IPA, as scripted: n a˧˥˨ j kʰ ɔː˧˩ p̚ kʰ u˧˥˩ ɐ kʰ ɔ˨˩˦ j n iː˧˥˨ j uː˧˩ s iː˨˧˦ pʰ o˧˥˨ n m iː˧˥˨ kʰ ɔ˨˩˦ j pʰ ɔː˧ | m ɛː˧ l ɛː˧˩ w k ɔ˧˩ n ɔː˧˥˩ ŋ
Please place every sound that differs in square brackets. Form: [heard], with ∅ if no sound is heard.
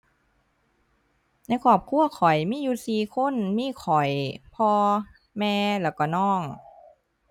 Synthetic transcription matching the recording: n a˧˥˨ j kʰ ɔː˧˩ p̚ kʰ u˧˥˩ ɐ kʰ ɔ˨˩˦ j [m] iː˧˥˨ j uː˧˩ s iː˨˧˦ [kʰ] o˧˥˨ n m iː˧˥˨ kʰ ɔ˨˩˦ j pʰ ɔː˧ | m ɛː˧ l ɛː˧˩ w k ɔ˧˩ n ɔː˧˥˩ ŋ